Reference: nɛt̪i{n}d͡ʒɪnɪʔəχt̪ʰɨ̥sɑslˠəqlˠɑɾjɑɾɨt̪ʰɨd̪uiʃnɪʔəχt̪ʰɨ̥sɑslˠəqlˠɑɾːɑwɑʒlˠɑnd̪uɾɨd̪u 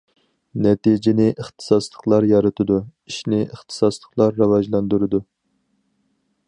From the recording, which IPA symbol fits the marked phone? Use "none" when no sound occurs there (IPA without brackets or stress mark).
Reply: none